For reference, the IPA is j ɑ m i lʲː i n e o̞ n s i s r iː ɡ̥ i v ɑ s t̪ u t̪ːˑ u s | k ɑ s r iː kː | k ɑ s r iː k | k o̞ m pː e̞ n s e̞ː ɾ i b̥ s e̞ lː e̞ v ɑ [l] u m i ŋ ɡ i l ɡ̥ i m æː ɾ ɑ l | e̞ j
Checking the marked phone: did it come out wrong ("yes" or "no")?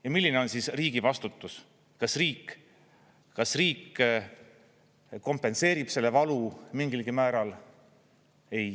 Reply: no